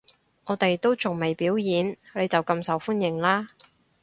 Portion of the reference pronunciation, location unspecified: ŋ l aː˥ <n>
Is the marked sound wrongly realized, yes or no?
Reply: yes